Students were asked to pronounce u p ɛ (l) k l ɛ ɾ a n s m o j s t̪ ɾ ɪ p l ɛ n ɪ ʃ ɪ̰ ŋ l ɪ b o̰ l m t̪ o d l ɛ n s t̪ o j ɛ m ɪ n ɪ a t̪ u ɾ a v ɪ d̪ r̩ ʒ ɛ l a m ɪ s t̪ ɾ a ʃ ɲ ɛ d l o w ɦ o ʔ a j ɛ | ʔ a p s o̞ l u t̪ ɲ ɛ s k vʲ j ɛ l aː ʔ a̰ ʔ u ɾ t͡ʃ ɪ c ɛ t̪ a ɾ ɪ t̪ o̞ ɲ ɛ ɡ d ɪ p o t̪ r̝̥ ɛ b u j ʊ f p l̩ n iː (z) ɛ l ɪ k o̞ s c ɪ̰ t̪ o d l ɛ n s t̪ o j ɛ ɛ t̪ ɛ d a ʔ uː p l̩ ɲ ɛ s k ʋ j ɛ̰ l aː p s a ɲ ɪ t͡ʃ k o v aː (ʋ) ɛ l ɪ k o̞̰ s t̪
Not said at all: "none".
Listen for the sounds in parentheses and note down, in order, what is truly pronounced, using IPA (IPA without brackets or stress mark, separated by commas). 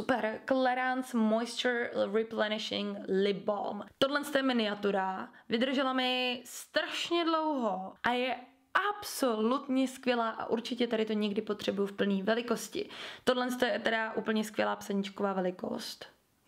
ɾ, v, v